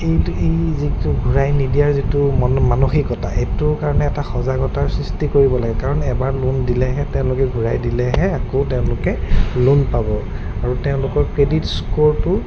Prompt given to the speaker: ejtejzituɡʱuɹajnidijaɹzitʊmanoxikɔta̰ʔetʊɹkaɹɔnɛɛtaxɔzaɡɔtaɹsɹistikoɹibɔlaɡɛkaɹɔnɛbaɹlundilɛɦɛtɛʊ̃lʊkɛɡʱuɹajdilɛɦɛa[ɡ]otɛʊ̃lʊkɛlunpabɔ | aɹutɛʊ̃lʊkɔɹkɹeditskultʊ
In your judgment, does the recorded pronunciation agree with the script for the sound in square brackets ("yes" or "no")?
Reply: no